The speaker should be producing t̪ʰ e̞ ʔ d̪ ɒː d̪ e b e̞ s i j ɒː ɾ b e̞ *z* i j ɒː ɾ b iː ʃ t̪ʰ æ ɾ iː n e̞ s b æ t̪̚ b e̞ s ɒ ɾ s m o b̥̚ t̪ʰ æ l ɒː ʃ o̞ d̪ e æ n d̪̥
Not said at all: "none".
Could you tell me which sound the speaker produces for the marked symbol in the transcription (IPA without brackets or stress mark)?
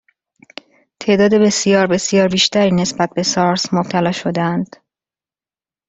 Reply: s